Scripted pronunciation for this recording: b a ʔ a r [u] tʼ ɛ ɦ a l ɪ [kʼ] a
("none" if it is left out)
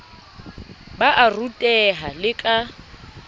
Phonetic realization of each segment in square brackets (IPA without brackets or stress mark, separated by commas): u, kʼ